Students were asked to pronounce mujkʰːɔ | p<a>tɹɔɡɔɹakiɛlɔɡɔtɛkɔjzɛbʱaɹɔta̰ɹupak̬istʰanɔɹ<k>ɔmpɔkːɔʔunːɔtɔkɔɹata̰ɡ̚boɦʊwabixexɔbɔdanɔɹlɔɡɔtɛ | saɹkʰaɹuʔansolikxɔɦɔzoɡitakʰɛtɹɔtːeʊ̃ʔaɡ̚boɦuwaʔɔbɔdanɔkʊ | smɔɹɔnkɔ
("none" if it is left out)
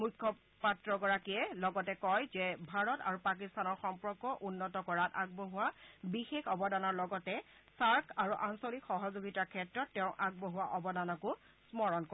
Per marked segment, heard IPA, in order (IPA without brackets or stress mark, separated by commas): a, x